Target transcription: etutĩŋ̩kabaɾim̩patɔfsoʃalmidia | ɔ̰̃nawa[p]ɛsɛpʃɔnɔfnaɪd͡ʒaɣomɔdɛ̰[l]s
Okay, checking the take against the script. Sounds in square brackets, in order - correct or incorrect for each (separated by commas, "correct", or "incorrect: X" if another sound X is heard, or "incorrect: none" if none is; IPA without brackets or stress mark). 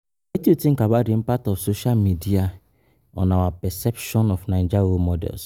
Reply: correct, correct